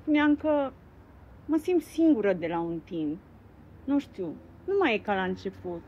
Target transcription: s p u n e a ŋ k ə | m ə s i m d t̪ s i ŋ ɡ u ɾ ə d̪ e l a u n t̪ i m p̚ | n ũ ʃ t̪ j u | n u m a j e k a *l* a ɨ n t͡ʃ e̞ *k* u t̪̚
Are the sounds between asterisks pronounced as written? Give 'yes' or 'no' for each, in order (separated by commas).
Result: yes, no